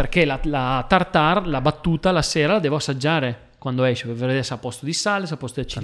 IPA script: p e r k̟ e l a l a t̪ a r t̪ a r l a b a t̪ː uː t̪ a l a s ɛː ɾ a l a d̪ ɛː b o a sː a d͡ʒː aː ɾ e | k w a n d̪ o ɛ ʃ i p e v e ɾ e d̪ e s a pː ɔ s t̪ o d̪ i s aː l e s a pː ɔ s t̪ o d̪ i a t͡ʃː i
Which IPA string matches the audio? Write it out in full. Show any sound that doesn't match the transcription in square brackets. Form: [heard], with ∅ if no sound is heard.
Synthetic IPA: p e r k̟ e l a l a t̪ a r t̪ a r l a b a t̪ː uː t̪ a l a s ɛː ɾ a l a d̪ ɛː [v] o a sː a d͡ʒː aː ɾ e | k w a n d̪ o ɛ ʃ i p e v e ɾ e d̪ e s a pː ɔ s t̪ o d̪ i s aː l e s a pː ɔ s t̪ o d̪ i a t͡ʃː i